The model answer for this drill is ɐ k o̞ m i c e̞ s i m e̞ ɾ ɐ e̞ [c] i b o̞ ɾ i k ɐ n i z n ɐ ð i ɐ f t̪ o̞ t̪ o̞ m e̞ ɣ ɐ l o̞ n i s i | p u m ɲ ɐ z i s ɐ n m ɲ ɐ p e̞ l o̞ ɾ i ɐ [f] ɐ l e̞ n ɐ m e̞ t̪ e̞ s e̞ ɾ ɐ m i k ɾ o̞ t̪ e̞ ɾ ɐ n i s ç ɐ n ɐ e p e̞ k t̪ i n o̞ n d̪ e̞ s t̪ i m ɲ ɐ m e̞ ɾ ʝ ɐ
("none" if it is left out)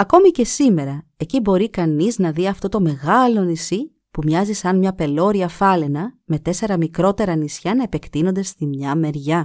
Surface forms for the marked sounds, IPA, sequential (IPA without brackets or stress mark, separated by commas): c, f